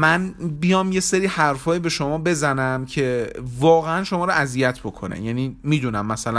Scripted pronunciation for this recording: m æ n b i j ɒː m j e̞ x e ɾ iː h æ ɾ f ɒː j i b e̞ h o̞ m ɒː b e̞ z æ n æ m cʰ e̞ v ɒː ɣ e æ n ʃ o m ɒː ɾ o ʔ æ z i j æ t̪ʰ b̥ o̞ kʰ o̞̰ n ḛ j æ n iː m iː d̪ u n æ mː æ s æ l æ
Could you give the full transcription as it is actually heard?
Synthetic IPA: m æ n b i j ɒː m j e̞ s e ɾ iː h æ ɾ f ɒː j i b e̞ ʃ o̞ m ɒː b e̞ z æ n æ m cʰ e̞ v ɒː ɣ e æ n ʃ o m ɒː ɾ o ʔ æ z i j æ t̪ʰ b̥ o̞ kʰ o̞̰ n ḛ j æ n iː m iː d̪ u n æ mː æ s æ l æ